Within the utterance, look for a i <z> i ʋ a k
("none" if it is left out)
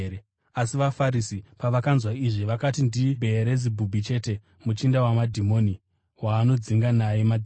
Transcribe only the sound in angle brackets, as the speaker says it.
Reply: ʐ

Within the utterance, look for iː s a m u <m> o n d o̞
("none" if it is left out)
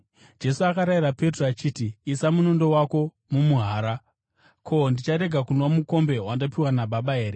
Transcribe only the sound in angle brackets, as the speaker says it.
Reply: n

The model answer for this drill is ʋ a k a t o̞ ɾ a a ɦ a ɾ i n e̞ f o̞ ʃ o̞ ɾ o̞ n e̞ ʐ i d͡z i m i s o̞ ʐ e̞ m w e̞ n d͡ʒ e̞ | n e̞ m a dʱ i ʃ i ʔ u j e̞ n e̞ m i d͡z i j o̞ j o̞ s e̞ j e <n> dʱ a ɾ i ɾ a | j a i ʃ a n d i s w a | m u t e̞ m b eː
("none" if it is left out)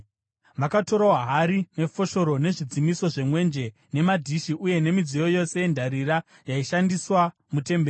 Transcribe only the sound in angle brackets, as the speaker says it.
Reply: n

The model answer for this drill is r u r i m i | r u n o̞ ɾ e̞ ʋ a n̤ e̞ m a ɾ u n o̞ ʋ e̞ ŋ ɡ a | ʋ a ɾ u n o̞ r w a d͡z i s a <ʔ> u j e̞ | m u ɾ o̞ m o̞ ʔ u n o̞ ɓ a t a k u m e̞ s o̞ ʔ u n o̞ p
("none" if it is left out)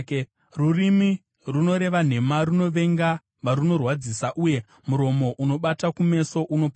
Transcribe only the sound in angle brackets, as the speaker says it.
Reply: ʔ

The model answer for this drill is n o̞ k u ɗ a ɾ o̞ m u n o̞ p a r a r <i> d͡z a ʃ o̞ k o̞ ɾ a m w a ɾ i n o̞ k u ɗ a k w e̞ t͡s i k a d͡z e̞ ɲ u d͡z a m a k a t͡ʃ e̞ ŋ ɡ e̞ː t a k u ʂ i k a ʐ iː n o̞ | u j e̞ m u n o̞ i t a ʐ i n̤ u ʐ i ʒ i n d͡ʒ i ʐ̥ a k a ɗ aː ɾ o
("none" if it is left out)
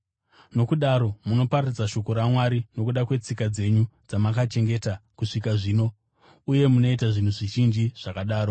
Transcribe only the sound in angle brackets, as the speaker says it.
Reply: i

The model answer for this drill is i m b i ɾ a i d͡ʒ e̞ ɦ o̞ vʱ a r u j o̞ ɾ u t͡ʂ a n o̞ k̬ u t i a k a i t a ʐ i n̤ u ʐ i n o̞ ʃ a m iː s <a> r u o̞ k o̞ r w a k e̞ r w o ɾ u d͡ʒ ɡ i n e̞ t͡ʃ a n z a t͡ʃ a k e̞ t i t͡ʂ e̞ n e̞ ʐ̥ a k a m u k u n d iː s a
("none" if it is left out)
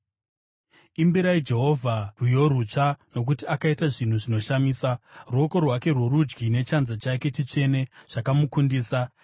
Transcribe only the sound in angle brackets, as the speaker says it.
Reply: a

